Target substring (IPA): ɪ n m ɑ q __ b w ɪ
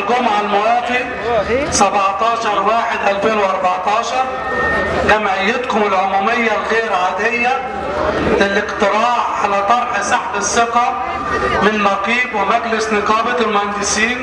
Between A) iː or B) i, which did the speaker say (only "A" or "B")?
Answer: A